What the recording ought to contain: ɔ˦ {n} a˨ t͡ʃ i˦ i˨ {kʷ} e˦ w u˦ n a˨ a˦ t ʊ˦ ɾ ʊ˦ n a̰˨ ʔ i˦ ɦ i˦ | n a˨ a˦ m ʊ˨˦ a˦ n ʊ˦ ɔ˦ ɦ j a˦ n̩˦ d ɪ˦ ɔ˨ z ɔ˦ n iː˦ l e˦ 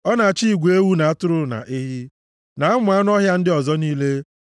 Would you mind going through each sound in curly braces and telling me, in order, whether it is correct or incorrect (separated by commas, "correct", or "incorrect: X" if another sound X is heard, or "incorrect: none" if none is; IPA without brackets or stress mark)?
correct, incorrect: ɡʷ